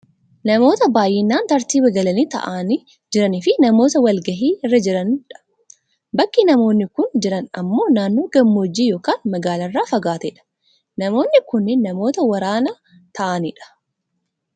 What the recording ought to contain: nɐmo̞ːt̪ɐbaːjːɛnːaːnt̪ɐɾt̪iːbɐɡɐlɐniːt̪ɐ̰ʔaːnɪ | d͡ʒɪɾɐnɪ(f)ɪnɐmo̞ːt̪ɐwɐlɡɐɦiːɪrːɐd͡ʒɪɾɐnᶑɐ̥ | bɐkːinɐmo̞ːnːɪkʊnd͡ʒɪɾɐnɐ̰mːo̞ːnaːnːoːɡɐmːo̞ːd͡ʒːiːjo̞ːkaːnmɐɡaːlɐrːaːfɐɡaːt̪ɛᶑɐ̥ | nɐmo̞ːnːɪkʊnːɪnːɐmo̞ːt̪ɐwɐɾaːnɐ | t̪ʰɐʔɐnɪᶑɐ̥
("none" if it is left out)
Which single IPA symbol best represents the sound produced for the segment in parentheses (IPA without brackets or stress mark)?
f